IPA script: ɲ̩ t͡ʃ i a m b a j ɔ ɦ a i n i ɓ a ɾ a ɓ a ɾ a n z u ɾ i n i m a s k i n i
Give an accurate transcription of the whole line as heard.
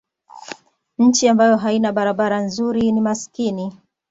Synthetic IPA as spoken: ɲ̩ t͡ʃ i a m b a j ɔ ɦ a i n a ɓ a ɾ a ɓ a ɾ a n z u ɾ i n i m a s k i n i